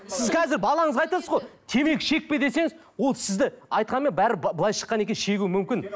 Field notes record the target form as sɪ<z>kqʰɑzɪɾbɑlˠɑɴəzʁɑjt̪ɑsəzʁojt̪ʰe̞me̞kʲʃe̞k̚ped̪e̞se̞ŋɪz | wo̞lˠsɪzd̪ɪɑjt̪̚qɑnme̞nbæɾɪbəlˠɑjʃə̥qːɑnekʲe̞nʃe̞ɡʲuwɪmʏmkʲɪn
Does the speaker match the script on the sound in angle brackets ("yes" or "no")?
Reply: yes